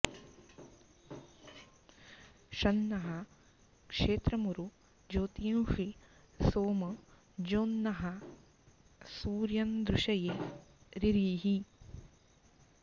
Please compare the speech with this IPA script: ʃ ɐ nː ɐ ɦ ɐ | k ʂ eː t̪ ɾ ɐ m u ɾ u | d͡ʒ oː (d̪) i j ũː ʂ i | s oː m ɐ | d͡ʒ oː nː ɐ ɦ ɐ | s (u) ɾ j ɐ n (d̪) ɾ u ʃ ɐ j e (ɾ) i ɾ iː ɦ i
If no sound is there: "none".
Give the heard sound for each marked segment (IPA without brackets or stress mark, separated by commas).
t̪, uː, d̪, ɾ